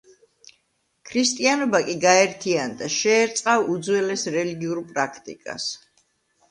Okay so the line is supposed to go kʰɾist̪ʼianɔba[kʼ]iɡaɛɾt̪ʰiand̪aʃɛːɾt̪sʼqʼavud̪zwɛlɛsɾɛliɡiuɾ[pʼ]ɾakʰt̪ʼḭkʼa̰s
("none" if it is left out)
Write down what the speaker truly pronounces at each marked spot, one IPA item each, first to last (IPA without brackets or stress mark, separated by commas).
kʼ, pʼ